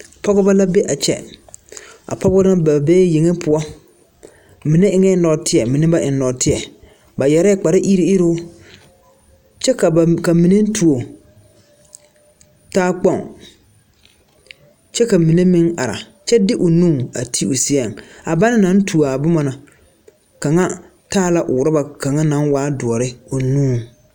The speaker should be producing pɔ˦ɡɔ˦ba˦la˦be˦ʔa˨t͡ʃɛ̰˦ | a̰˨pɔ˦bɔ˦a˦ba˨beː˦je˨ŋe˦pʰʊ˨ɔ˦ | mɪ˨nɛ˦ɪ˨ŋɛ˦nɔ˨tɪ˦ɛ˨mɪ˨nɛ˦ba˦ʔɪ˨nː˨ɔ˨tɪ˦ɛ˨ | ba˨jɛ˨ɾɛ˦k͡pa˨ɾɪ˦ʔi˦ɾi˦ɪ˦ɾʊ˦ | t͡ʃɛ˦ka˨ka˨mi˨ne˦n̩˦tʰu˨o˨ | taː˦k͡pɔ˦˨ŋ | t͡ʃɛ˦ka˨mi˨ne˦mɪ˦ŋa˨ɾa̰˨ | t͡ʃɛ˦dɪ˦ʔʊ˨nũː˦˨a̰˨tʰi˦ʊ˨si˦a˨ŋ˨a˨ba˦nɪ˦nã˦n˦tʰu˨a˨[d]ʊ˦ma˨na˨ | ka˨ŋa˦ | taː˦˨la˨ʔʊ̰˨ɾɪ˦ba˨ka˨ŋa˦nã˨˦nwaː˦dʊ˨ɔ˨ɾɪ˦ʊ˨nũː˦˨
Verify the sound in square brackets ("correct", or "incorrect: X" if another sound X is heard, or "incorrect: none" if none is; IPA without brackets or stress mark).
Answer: incorrect: b